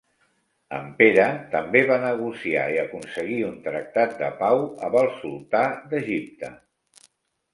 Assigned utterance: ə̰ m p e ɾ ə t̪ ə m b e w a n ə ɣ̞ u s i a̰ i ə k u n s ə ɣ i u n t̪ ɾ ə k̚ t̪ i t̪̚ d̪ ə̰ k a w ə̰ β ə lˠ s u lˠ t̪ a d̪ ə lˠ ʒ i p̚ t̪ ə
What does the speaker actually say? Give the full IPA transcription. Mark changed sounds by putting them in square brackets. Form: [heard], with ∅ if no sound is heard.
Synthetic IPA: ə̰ m p e ɾ ə t̪ ə m b e [β] a n ə ɣ̞ u s i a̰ i ə k u n s ə ɣ i u n t̪ ɾ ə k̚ t̪ [a] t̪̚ d̪ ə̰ [p] a w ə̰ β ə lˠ s u lˠ t̪ a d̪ ə [∅] ʒ i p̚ t̪ ə